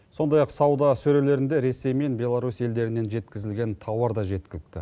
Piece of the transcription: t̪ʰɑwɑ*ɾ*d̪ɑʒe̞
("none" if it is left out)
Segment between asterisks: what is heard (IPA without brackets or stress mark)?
ɾ